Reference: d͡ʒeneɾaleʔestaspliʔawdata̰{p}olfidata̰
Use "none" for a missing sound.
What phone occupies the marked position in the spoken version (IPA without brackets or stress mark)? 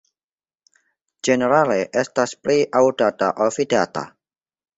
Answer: ʔ